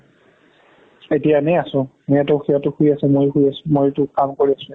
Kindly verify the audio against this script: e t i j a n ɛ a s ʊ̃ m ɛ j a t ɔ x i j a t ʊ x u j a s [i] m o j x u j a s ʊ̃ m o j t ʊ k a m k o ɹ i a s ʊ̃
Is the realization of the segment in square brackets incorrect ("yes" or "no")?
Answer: yes